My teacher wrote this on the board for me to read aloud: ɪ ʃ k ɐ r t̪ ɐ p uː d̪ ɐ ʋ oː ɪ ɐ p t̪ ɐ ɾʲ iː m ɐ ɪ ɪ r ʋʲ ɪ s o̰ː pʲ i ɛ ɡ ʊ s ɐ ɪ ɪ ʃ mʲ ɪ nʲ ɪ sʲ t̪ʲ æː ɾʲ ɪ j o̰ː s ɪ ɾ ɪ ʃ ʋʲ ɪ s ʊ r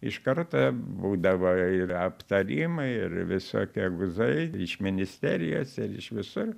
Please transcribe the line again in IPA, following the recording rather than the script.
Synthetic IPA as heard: ɪ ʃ k ɐ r t̪ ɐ b uː d̪ ɐ ʋ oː ɪ ɐ p t̪ ɐ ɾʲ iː m ɐ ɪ ɪ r ʋʲ ɪ s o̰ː kʲ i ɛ ɡ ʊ z ɐ ɪ ɪ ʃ mʲ ɪ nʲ ɪ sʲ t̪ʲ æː ɾʲ ɪ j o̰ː s ɪ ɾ ɪ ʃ ʋʲ ɪ s ʊ r